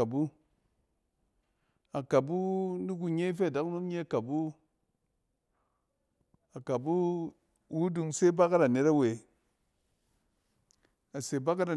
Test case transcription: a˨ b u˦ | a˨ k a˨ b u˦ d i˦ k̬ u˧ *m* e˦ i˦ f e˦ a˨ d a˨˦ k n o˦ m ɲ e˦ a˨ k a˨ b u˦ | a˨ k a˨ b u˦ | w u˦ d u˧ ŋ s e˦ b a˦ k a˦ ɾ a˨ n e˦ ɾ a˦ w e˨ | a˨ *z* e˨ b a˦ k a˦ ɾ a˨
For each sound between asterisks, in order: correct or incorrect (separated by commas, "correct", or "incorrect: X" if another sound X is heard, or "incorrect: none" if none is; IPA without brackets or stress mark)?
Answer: incorrect: ɲ, incorrect: s